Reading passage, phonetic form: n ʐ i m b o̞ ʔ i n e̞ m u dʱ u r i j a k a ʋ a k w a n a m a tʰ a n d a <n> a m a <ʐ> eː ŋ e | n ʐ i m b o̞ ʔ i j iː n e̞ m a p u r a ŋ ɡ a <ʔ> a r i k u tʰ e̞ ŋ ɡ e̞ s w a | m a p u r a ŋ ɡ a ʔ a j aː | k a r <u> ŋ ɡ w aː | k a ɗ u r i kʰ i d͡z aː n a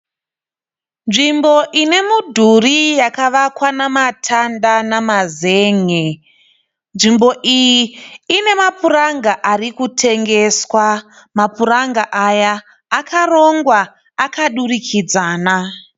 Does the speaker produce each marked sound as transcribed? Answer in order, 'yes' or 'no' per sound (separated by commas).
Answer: yes, no, yes, no